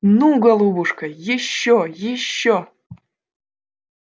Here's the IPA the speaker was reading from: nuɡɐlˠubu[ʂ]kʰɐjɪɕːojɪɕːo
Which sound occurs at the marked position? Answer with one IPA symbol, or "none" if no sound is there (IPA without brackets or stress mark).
ʂ